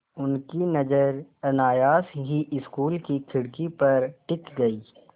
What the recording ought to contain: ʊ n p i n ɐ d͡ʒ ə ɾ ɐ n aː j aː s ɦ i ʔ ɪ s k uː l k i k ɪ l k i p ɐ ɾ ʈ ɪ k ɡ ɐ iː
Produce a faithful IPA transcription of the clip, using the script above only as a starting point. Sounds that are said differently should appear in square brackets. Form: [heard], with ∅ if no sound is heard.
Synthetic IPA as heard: ʊ n [k] i n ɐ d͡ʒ ə ɾ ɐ n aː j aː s ɦ i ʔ ɪ s k uː l k i [kʰ] ɪ [ɽ] k i p ɐ ɾ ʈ ɪ k ɡ ɐ iː